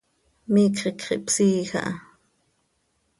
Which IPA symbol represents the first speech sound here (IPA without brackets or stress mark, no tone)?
m